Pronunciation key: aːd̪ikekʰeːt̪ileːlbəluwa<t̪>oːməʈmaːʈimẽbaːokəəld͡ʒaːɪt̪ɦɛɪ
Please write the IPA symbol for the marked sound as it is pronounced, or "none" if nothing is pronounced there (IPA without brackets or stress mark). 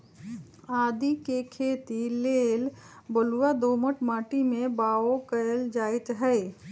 d̪